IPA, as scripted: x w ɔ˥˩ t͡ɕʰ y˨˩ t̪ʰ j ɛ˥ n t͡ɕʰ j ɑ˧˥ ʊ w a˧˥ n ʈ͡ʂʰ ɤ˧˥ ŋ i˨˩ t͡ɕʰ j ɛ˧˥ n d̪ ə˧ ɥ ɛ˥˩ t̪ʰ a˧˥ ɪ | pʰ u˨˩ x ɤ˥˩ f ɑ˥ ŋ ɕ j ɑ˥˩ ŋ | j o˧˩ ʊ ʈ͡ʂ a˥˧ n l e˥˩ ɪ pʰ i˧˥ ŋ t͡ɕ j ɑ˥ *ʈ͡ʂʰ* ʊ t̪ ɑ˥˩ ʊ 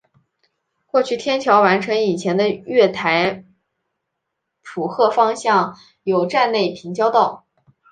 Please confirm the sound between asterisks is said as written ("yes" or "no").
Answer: no